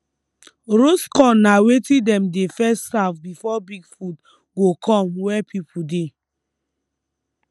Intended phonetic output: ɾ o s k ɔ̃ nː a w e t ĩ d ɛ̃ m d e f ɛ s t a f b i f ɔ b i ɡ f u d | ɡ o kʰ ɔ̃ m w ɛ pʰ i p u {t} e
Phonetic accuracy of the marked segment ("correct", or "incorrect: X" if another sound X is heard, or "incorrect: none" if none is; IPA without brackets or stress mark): incorrect: d